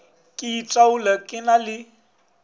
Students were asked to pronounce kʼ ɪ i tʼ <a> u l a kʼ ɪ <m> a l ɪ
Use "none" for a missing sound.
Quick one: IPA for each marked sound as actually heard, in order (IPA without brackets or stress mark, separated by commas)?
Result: a, n